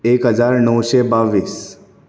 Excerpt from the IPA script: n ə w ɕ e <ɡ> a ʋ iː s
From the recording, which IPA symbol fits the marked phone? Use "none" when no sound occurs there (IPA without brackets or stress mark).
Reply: b